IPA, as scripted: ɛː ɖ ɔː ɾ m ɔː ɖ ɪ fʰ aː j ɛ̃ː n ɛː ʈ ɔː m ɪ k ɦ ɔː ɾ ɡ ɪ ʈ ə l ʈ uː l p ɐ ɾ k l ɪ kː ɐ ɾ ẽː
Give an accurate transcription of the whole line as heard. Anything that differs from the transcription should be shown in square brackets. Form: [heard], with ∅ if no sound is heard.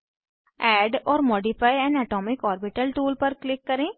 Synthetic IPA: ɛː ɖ ɔː ɾ m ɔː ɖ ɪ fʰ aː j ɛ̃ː n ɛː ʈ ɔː m ɪ k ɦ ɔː ɾ [b] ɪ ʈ ə l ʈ uː l p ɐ ɾ k l ɪ kː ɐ ɾ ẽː

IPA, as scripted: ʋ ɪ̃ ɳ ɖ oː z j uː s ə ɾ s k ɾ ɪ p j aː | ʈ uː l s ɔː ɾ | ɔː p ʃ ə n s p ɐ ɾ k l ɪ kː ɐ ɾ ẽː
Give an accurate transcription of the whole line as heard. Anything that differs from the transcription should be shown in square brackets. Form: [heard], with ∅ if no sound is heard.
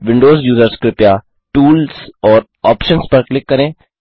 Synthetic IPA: ʋ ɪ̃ ɳ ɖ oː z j uː [z] ə ɾ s k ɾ ɪ p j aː | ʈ uː l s ɔː ɾ | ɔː p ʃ ə n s p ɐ ɾ k l ɪ kː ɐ ɾ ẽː

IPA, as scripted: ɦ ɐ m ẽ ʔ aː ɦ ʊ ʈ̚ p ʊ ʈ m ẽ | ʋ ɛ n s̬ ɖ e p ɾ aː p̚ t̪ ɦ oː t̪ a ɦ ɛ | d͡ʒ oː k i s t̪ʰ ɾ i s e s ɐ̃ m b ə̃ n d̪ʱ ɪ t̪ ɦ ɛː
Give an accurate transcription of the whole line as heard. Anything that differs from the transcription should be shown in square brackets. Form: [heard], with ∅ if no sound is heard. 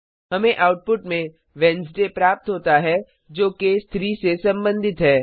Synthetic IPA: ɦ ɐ m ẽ ʔ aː [∅] ʊ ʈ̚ p ʊ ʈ m ẽ | ʋ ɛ n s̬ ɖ e p ɾ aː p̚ t̪ ɦ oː t̪ a ɦ ɛ | d͡ʒ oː k [e] s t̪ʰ ɾ i s e s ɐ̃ m b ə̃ n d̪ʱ ɪ t̪ ɦ ɛː

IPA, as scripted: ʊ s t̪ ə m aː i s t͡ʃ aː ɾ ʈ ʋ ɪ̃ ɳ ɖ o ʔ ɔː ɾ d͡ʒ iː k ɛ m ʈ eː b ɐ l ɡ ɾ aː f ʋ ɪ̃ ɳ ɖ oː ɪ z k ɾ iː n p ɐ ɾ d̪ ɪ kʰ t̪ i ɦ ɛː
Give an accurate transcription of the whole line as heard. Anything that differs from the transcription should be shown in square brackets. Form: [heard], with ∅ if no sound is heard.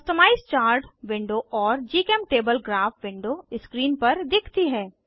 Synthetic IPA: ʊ s t̪ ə m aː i s t͡ʃ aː ɾ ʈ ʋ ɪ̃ ɳ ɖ o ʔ ɔː ɾ d͡ʒ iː k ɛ m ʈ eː b [ə] l ɡ ɾ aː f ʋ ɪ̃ ɳ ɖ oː ɪ [s] k ɾ iː n p ɐ ɾ d̪ ɪ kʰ t̪ i ɦ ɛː

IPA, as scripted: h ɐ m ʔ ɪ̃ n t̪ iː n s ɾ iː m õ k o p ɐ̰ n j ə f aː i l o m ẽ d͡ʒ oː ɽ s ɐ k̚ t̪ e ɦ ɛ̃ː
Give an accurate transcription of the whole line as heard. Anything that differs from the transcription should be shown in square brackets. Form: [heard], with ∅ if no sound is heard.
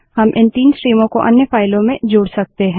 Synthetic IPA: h ɐ m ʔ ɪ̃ n t̪ iː n s ɾ iː m õ k o [ʔ] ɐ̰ n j ə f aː [ɪ] l [õ] m ẽ d͡ʒ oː ɽ s ɐ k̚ t̪ e ɦ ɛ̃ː

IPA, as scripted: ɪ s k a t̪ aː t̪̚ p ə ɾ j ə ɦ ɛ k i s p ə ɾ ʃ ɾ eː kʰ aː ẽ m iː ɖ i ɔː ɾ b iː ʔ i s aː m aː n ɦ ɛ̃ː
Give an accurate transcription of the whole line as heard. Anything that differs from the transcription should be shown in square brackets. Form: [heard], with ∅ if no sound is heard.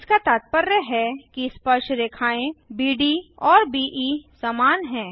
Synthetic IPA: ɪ s k a t̪ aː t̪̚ p ə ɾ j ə ɦ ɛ k i s p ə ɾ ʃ ɾ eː kʰ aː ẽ [b] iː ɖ i ɔː ɾ b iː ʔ i s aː m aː n ɦ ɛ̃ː

